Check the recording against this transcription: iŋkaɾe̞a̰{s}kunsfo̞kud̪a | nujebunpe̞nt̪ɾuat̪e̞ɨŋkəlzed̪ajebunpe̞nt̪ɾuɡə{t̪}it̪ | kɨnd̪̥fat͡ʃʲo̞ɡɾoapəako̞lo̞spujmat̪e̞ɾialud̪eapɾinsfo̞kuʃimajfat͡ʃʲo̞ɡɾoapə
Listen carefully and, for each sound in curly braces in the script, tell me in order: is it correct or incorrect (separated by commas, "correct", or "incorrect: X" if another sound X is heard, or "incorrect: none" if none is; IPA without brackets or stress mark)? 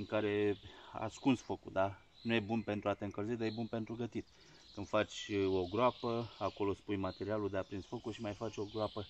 correct, correct